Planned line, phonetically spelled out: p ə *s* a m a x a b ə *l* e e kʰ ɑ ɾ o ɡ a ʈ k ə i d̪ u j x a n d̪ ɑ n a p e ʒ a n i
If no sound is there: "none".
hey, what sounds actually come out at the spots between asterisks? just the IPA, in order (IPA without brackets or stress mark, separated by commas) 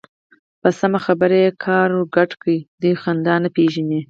s, ɾ